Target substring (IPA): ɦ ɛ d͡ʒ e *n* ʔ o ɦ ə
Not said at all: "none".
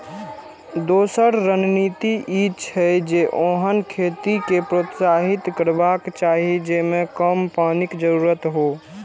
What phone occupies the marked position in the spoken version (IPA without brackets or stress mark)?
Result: none